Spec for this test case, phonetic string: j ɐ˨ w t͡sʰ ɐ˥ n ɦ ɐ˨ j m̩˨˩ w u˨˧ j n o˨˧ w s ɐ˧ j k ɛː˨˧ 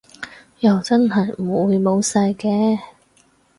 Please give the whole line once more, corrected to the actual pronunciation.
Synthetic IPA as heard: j ɐ˨ w t͡s ɐ˥ n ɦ ɐ˨ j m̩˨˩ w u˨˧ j m o˨˧ w s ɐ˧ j k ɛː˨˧